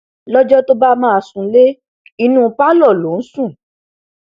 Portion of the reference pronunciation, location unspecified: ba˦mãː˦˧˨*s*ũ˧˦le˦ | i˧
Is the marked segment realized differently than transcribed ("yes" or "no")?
no